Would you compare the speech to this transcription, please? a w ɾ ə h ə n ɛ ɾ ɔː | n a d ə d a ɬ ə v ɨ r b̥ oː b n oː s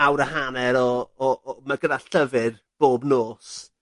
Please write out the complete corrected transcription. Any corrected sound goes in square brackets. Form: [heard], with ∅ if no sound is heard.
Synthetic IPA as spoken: a w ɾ ə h [a] n ɛ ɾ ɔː | [m] a [ɡ] ə d a ɬ ə v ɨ r b̥ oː b n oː s

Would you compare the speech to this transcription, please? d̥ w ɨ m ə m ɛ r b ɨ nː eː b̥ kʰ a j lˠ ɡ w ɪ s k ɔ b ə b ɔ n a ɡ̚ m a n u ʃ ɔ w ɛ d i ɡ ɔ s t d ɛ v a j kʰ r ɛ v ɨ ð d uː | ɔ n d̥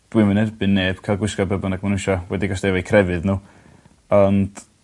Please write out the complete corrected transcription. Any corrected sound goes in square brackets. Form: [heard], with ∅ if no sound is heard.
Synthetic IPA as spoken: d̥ w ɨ m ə [n] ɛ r b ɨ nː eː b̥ kʰ a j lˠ ɡ w ɪ s k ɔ b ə b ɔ n a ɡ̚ m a n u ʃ ɔ w ɛ d i ɡ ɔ s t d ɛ v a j kʰ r ɛ v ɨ ð [n] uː | ɔ n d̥

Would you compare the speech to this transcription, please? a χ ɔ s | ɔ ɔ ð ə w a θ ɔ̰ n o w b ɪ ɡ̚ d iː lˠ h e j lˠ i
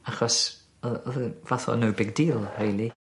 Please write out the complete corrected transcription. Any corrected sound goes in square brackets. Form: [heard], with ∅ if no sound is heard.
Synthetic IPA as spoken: a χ ɔ s | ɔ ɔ ð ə [v] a θ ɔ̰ n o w b ɪ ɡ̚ d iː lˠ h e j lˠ i

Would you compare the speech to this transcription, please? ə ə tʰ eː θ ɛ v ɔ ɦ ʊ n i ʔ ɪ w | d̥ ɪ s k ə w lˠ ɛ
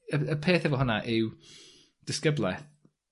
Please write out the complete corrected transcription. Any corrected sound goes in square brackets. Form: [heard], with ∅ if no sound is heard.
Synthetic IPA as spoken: ə ə [pʰ] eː θ ɛ v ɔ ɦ ʊ n [a] ʔ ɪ w | d̥ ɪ s k ə [b] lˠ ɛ

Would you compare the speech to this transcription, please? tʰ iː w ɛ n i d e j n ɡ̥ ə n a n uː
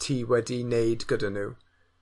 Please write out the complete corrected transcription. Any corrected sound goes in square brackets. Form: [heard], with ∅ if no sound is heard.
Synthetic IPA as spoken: tʰ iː w ɛ [d] i [n] e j [d] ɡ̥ ə [d] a n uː

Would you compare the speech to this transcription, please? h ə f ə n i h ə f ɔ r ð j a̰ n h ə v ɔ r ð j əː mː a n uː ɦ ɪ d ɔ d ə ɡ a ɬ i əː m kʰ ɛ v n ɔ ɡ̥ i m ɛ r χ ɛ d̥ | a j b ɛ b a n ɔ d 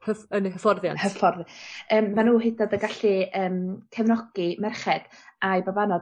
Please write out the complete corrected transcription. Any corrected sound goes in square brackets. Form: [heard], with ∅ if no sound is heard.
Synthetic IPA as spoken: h ə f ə n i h ə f ɔ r ð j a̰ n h ə [f] ɔ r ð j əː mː a n uː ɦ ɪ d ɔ d ə ɡ a ɬ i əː m kʰ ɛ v n ɔ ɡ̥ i m ɛ r χ ɛ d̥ | a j b [a] b a n ɔ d

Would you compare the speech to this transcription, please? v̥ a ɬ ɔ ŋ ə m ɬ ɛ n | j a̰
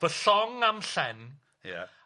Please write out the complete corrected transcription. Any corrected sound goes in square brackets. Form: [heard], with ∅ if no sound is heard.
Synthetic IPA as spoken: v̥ [ə] ɬ ɔ ŋ [a] m ɬ ɛ n | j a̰

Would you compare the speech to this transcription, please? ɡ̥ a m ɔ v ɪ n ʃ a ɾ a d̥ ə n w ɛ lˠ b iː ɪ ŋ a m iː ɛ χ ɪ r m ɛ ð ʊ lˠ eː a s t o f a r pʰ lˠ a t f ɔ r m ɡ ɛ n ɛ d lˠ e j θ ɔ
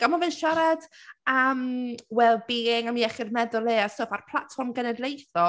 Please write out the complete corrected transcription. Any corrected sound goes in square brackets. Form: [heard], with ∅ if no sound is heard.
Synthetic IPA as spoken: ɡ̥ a m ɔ v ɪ n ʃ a ɾ a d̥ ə [m] w ɛ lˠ b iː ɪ ŋ a m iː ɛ χ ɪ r m ɛ ð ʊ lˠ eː a s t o f a r pʰ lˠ a t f ɔ r m ɡ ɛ n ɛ d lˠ e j θ ɔ

